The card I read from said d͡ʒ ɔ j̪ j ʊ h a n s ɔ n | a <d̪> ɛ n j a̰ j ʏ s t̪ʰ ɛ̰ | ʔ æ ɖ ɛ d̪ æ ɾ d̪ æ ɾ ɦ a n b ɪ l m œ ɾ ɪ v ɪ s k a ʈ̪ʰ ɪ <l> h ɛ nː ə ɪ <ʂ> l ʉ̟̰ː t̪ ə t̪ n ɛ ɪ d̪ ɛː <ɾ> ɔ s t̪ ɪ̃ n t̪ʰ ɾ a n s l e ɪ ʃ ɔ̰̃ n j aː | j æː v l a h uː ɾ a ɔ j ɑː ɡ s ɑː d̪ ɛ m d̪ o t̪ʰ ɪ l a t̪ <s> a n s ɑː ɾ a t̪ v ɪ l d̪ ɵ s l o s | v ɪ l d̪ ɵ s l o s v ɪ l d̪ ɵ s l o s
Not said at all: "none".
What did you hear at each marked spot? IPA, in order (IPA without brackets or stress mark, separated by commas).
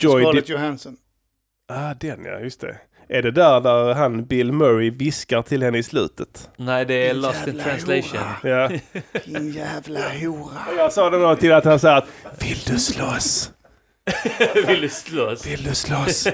d̪, l, s, l, h